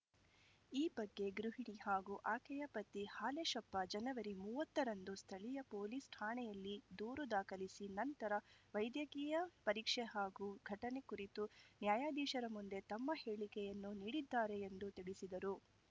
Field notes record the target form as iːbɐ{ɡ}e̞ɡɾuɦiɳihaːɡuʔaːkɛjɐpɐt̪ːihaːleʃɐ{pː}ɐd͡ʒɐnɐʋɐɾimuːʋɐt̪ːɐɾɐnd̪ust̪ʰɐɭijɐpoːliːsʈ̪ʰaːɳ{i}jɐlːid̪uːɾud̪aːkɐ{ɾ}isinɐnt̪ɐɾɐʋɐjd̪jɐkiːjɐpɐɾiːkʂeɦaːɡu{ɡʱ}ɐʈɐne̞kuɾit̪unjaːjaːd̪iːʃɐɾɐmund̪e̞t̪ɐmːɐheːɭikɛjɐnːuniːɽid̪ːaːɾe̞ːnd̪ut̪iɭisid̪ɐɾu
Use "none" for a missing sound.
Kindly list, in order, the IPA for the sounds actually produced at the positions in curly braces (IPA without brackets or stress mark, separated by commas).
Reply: ɡː, pː, ɛ, l, ɡʱ